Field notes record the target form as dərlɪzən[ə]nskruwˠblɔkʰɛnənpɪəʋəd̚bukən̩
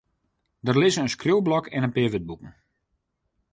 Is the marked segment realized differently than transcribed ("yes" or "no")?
no